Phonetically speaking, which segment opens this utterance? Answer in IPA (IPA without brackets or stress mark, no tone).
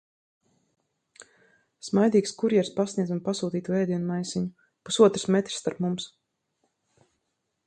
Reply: s